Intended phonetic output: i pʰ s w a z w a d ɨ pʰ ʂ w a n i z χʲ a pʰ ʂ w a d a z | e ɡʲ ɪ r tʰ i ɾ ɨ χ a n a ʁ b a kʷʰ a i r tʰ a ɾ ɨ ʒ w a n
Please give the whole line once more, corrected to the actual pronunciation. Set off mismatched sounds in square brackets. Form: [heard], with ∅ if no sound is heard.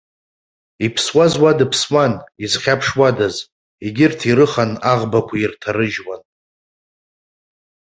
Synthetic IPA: i pʰ s w a z w a d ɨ pʰ [s] w a n i z χʲ a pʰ ʂ w a d a z | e ɡʲ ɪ r tʰ i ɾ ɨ χ a n a ʁ b a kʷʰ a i r tʰ a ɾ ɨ ʒ w a n